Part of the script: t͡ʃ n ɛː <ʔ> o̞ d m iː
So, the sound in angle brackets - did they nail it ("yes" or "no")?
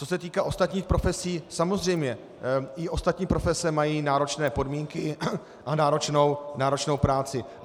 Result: no